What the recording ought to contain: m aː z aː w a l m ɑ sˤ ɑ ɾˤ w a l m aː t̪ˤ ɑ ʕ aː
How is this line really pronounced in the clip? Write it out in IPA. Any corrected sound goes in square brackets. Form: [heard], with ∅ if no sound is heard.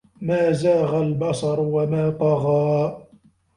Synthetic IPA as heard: m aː z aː [ɣ] a l [b] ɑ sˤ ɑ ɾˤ w a [∅] m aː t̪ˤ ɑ [ɣ] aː